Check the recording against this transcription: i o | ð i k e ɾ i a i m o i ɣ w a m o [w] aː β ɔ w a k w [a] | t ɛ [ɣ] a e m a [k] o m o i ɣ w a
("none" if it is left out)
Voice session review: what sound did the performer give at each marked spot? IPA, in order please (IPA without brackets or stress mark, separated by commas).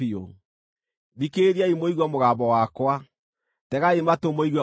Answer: ɣ, a, ɣ, t